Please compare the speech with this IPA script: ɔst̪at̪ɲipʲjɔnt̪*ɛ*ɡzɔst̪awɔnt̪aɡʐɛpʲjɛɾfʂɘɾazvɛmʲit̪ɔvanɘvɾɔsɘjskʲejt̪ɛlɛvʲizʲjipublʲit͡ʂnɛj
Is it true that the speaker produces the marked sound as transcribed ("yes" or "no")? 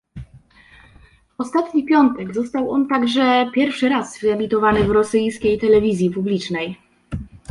yes